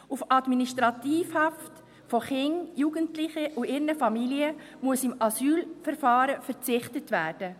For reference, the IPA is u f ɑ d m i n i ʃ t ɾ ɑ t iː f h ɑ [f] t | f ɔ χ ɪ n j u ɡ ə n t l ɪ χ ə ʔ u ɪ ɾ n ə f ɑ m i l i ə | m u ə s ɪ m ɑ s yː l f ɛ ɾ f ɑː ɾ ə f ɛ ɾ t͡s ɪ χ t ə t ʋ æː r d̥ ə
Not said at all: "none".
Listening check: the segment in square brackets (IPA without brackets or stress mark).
f